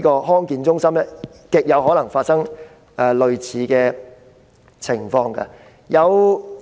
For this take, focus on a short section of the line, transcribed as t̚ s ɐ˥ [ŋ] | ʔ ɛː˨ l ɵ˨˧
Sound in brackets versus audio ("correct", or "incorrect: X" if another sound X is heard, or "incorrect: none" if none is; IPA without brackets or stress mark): correct